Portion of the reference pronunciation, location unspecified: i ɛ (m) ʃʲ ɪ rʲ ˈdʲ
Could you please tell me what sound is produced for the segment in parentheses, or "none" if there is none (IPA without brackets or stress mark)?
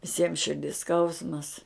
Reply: m